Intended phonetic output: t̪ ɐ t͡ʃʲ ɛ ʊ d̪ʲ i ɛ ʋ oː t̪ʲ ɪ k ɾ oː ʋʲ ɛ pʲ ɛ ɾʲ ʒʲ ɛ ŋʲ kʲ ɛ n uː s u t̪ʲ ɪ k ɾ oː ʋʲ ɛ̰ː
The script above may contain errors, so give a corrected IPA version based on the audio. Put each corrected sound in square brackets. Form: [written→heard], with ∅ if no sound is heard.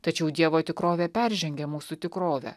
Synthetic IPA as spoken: t̪ ɐ t͡ʃʲ ɛ ʊ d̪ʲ i ɛ ʋ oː t̪ʲ ɪ k ɾ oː ʋʲ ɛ pʲ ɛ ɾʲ ʒʲ ɛ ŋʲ [kʲ→ɡʲ] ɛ [n→m] uː s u t̪ʲ ɪ k ɾ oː ʋʲ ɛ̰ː